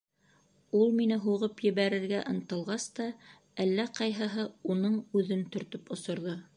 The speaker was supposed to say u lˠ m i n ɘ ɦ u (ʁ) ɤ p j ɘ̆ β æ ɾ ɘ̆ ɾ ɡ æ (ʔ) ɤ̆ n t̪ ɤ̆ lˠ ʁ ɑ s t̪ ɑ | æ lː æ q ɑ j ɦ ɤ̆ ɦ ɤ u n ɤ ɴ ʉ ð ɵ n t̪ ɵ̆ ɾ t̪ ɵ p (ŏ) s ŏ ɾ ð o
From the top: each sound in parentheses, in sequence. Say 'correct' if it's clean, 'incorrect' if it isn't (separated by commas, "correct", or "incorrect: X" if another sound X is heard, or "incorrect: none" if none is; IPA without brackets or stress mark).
correct, correct, correct